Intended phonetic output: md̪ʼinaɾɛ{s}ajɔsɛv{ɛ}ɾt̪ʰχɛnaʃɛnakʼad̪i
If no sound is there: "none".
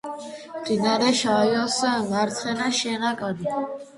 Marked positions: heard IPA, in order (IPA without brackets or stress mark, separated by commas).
ʃ, a